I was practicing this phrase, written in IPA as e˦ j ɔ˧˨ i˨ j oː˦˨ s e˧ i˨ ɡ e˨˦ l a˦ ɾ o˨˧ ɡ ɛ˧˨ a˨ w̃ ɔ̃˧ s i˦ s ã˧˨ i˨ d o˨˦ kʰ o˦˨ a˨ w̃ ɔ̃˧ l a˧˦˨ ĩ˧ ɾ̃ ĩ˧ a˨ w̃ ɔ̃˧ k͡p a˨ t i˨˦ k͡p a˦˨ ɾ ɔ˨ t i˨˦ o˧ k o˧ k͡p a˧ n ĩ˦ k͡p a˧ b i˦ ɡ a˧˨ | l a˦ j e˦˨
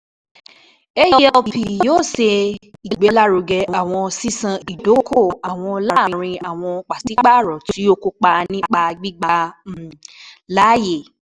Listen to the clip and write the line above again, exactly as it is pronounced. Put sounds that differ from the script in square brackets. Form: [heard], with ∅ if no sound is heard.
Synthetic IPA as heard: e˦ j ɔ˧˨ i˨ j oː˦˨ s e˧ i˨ [ɡ͡b] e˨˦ l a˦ ɾ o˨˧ ɡ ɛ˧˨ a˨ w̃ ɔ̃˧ s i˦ s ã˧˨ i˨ d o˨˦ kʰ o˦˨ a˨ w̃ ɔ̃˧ l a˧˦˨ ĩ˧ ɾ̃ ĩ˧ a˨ w̃ ɔ̃˧ k͡p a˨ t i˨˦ k͡p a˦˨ ɾ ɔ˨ t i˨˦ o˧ k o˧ k͡p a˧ n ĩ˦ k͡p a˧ [ɡ͡b] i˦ [ɡ͡b] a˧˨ | l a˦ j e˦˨

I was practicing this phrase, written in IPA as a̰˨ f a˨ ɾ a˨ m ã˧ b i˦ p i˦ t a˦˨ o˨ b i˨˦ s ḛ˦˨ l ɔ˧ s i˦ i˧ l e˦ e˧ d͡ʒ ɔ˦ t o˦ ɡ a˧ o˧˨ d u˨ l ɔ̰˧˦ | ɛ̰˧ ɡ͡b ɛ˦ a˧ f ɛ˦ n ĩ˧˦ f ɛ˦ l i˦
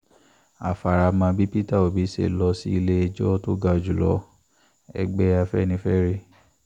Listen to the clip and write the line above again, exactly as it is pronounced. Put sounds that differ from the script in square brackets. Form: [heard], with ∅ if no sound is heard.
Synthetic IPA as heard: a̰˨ f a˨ ɾ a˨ m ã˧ b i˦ p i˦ t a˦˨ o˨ b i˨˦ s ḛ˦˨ l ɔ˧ s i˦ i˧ l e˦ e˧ d͡ʒ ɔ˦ t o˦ ɡ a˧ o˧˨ [d͡ʒ] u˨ l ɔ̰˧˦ | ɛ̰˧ ɡ͡b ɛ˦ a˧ f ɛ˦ n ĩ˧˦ f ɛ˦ [ɾ] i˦

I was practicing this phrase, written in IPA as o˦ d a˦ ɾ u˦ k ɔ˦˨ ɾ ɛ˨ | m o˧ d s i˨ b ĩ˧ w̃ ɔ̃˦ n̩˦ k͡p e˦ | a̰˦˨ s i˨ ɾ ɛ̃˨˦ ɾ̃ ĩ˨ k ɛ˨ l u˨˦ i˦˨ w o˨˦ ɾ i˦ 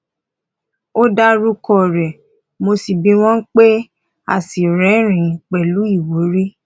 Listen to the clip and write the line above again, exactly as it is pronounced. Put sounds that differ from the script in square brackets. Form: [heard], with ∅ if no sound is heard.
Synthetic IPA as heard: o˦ d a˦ ɾ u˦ k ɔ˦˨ ɾ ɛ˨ | m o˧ [∅] s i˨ b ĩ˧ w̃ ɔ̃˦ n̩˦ k͡p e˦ | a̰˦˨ s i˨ ɾ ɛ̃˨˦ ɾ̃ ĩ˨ [k͡p] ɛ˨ l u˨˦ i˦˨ w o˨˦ ɾ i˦

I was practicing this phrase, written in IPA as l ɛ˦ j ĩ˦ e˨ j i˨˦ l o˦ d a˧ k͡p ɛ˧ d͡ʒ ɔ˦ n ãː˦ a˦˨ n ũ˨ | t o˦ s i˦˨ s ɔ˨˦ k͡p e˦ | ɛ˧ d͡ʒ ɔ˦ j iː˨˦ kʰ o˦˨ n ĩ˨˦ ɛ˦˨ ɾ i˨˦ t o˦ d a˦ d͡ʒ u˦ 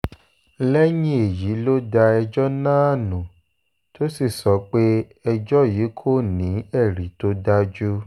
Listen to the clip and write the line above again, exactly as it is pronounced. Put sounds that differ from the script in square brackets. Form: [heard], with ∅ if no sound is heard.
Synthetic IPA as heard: l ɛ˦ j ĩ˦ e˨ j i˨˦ l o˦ d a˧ [∅] ɛ˧ d͡ʒ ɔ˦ n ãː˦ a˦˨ n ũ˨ | t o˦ s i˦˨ s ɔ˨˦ k͡p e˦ | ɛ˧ d͡ʒ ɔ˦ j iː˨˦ kʰ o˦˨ n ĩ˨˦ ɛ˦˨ ɾ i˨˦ t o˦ d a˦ d͡ʒ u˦

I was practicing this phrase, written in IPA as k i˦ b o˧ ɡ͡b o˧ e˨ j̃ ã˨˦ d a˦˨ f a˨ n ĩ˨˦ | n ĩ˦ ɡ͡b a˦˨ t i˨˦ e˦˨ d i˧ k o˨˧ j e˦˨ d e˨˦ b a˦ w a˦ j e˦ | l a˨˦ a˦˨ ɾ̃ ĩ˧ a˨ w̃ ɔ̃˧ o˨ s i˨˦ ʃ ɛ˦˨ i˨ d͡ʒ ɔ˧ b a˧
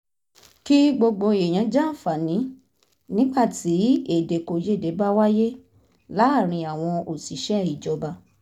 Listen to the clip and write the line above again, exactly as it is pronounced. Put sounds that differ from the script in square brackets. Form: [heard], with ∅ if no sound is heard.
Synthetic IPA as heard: k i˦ [ɡ͡b] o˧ ɡ͡b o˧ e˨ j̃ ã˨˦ [d͡ʒ] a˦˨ f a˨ n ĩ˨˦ | n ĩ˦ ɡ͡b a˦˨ t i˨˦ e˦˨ d [e˧] k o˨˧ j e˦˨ d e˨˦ b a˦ w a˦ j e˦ | l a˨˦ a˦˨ ɾ̃ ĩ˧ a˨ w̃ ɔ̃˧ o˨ s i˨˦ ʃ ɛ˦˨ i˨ d͡ʒ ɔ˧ b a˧

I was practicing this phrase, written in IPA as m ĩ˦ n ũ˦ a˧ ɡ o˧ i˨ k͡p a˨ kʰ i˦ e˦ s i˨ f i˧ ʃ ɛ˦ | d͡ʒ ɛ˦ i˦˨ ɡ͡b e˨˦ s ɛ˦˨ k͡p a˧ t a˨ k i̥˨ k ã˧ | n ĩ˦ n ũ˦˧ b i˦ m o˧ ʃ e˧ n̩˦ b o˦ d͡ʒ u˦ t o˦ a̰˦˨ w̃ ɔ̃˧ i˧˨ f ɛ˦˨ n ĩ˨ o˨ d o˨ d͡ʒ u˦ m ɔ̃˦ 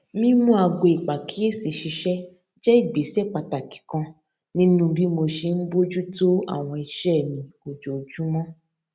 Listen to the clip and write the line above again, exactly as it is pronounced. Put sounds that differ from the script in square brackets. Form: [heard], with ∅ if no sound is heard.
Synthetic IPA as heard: m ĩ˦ [m] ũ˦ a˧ ɡ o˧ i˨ k͡p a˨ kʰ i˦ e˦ s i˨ [ʃ] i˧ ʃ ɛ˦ | d͡ʒ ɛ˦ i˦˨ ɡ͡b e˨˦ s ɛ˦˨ k͡p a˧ t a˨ k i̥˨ k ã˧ | n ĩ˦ n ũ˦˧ b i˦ m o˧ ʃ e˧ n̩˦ b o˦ d͡ʒ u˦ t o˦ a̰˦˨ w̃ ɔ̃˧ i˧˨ [ʃ] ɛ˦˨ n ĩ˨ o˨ [d͡ʒ] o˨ d͡ʒ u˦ m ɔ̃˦

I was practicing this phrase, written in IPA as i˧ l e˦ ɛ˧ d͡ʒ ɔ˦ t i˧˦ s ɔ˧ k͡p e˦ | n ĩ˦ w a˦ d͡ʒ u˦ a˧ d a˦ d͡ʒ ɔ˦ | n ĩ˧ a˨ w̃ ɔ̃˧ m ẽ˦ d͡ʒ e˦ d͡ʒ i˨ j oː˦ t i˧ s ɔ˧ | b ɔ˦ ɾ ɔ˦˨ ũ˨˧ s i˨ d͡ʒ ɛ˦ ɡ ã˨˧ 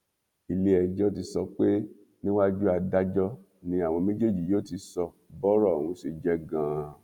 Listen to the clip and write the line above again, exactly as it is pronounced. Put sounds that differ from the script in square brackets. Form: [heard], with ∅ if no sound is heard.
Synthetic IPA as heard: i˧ l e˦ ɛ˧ d͡ʒ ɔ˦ t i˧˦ s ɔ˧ k͡p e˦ | n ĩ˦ w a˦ d͡ʒ u˦ a˧ d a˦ d͡ʒ ɔ˦ | n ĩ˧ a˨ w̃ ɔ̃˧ m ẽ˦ d͡ʒ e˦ d͡ʒ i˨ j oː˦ t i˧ s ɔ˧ | b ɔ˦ ɾ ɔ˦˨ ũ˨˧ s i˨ d͡ʒ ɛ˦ ɡ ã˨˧

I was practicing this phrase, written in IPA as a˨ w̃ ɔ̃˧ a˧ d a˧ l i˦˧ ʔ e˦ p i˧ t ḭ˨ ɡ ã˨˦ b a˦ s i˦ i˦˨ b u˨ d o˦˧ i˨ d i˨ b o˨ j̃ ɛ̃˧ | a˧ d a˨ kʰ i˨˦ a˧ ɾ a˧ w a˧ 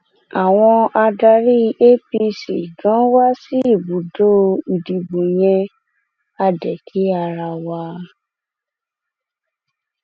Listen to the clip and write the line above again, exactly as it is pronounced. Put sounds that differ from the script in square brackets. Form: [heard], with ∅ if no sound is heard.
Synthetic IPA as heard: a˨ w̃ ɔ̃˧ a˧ d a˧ [ɾ] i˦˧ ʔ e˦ p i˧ [s] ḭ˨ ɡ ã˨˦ [w] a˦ s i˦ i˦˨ b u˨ d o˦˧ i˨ d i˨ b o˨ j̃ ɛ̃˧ | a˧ d [ɛ˨] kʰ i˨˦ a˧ ɾ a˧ w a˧

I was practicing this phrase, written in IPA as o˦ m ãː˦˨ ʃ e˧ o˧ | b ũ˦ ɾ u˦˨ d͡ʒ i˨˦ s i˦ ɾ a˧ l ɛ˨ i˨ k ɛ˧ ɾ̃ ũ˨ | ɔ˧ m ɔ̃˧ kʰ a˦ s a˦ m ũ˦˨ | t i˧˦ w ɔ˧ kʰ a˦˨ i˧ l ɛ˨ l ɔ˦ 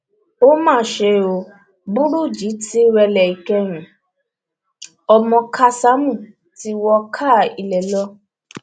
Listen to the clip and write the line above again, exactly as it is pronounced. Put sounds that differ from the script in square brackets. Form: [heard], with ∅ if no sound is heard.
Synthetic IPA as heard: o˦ m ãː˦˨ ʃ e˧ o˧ | b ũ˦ ɾ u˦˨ d͡ʒ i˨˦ [t] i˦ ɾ [ɛ˧] l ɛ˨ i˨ k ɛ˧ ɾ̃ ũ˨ | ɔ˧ m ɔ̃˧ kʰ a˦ s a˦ m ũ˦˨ | t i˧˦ w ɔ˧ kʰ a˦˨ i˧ l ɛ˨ l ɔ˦

